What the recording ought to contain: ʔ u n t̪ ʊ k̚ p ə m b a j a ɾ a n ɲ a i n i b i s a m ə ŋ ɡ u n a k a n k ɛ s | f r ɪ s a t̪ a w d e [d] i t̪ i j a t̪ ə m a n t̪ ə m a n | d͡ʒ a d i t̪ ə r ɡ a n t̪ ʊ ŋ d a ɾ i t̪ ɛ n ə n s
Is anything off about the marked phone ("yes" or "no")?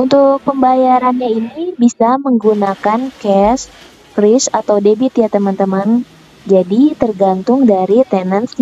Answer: yes